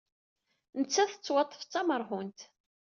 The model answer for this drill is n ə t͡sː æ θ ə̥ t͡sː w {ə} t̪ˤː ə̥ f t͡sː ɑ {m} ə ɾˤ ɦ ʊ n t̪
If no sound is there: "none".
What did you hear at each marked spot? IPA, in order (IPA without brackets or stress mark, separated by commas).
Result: ɑ, m